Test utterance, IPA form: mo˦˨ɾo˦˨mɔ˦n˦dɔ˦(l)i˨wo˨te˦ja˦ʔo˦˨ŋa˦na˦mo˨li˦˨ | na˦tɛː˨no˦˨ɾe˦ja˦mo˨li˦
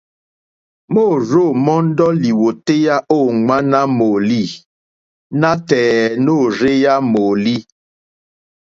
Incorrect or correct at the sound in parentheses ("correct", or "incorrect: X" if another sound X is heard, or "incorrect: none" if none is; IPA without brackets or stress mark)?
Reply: correct